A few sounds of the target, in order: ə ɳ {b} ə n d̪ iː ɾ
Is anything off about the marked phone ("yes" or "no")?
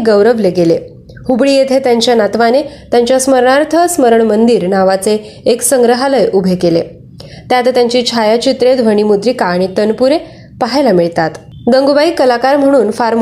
yes